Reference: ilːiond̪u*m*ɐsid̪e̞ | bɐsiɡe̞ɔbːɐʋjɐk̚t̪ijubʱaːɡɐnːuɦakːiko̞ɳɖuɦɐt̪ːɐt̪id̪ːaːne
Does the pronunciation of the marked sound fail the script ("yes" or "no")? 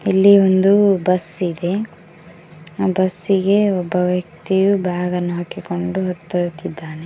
yes